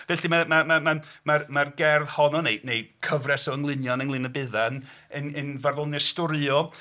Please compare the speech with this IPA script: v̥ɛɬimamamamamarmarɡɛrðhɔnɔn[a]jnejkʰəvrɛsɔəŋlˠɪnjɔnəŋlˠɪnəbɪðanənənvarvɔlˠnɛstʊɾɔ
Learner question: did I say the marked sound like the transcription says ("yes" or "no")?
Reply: no